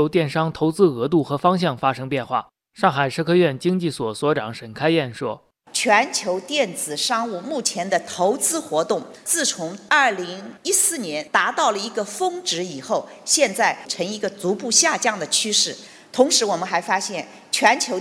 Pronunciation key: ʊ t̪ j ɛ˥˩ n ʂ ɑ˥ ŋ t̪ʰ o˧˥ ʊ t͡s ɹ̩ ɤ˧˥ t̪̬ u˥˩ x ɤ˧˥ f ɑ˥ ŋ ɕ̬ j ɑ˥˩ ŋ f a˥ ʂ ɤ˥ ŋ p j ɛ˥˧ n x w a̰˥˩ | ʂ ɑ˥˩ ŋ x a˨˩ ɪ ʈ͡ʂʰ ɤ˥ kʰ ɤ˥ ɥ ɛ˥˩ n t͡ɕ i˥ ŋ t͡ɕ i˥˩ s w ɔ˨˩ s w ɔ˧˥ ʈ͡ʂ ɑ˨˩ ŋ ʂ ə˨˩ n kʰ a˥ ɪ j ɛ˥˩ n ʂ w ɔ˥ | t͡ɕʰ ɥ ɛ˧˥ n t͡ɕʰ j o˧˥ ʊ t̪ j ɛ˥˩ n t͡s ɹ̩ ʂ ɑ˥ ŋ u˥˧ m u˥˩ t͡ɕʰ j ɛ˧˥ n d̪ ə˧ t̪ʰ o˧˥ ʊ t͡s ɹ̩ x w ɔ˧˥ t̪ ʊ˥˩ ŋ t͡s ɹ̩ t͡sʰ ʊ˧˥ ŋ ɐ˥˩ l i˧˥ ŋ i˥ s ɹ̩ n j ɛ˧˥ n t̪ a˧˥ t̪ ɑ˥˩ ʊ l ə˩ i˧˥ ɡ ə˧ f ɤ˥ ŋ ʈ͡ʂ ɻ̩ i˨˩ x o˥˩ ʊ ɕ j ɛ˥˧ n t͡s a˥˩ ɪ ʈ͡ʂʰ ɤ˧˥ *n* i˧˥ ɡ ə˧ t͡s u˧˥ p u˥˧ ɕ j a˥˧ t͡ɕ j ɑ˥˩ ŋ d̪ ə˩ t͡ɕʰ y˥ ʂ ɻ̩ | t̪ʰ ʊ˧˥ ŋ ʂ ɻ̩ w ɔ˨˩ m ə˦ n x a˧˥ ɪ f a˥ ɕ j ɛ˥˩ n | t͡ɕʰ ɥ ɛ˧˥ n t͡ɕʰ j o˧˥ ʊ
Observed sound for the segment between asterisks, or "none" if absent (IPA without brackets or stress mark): ŋ